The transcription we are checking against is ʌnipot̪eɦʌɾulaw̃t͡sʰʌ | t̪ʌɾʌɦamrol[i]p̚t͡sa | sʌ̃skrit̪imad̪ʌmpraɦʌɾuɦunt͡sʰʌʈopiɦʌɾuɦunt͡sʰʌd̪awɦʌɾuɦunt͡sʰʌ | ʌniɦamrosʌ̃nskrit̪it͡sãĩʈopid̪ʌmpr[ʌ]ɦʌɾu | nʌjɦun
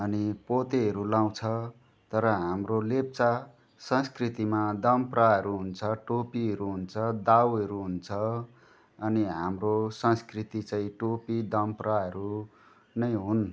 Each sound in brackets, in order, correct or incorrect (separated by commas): incorrect, incorrect